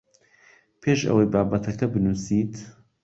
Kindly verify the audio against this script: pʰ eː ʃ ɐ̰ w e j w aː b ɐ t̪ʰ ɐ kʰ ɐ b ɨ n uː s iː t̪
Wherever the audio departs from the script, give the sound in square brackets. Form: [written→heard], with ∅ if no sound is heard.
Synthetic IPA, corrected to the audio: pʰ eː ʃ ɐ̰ w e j [w→b] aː b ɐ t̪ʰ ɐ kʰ ɐ b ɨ n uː s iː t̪